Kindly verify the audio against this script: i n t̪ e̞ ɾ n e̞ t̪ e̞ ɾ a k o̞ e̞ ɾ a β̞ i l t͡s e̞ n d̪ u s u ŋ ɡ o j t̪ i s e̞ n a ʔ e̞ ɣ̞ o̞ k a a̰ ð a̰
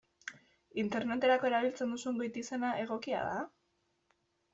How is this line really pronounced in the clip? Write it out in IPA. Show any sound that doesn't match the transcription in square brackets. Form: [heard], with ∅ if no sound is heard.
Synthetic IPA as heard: i n t̪ e̞ ɾ n e̞ t̪ e̞ ɾ a k o̞ e̞ ɾ a β̞ i l t͡s e̞ n d̪ u s u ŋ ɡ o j t̪ i s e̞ n a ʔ e̞ ɣ̞ o̞ k [i] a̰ ð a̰